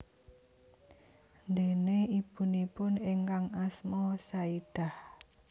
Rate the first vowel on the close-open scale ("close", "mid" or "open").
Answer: mid